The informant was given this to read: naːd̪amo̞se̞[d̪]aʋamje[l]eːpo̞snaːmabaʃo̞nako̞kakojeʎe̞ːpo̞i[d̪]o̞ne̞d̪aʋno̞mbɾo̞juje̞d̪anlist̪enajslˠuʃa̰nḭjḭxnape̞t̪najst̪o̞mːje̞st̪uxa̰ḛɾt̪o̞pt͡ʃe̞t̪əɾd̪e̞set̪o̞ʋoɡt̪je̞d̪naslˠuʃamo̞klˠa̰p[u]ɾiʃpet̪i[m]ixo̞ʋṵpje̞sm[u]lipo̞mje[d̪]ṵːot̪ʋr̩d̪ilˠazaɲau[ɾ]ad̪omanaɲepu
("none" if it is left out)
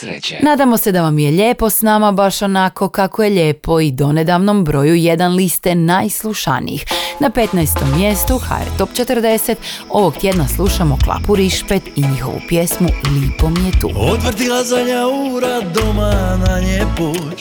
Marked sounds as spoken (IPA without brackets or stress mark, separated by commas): d̪, ʎ, d̪, u, ɲ, u, t̪, ɾ